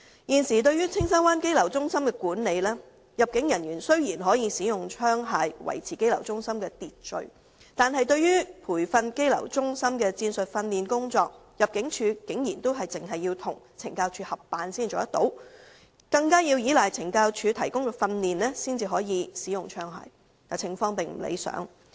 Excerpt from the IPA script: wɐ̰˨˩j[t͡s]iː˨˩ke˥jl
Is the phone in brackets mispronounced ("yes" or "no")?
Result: yes